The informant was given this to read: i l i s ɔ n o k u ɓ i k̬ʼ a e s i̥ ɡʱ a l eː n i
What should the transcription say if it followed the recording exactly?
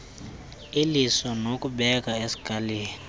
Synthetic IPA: i l i s ɔ n o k u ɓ ɛ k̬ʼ a e s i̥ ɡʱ a l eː n i